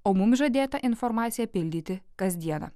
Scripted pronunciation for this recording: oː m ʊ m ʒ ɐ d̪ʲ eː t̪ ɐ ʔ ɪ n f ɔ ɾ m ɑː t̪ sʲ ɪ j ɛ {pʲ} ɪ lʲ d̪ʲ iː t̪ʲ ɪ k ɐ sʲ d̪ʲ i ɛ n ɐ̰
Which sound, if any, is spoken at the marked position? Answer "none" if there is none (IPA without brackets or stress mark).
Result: pʲ